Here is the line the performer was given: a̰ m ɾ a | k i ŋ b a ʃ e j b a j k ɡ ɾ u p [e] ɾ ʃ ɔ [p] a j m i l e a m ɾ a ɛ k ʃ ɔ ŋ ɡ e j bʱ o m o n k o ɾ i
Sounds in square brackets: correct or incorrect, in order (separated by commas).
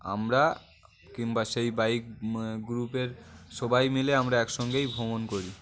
correct, incorrect